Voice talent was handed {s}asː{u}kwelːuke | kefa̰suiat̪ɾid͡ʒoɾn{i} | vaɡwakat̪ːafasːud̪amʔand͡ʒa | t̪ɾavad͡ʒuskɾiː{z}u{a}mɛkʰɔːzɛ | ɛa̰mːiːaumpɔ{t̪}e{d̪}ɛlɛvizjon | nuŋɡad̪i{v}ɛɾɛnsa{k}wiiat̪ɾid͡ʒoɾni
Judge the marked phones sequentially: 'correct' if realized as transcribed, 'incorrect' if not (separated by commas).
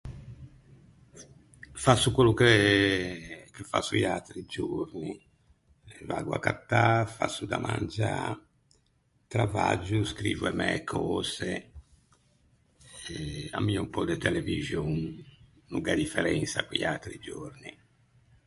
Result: incorrect, correct, correct, incorrect, incorrect, incorrect, incorrect, incorrect, correct